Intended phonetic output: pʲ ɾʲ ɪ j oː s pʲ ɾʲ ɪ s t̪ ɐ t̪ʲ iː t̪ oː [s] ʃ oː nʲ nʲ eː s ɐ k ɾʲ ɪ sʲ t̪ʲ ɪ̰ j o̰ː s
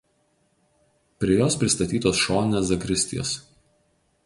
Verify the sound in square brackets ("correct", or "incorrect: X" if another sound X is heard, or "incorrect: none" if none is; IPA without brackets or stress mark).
correct